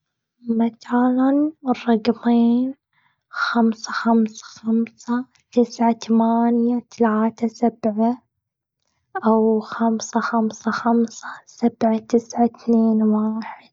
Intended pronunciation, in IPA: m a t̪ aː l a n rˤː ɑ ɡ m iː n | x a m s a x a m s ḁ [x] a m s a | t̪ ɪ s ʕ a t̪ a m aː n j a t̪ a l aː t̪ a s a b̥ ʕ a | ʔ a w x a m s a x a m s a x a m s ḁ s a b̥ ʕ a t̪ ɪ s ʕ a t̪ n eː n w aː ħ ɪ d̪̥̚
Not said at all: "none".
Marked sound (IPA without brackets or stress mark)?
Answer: x